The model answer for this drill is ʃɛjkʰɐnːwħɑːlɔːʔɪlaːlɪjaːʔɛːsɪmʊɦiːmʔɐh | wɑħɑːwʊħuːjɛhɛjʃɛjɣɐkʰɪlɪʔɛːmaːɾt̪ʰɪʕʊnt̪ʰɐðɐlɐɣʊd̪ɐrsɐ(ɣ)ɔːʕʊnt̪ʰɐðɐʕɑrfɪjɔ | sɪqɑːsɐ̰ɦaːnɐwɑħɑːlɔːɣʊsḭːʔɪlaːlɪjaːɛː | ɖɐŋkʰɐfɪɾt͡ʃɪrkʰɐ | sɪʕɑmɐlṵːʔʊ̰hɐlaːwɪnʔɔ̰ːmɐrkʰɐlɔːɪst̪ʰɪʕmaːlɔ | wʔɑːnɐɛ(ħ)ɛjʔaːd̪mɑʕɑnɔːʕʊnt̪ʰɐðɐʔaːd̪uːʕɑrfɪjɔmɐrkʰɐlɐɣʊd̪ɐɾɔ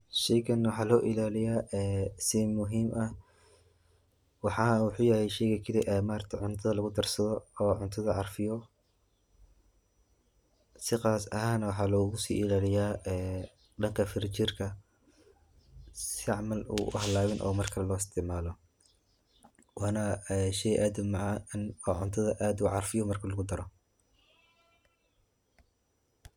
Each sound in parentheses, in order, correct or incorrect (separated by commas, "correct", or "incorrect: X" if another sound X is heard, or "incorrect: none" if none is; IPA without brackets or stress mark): incorrect: ð, incorrect: ʃ